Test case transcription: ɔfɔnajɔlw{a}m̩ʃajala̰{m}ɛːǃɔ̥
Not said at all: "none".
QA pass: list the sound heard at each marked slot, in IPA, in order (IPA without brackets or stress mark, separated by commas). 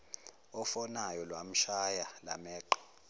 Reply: a, m